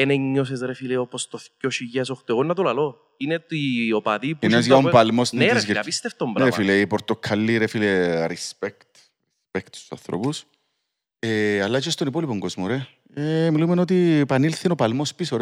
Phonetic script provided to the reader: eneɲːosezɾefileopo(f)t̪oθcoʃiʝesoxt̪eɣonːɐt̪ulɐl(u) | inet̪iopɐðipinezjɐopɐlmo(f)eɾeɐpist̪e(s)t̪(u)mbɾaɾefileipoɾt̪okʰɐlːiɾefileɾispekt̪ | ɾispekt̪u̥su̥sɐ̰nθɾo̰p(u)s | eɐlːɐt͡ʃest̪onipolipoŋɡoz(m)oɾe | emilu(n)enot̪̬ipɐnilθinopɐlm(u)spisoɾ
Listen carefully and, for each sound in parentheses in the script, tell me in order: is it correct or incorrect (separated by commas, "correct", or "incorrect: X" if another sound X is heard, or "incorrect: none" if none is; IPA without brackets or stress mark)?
incorrect: s, incorrect: o, incorrect: s, incorrect: f, incorrect: o, correct, correct, incorrect: m, incorrect: o